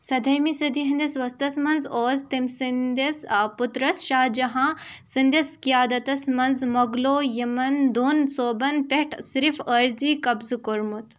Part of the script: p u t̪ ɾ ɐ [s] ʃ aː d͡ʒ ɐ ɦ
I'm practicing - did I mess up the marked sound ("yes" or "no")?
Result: no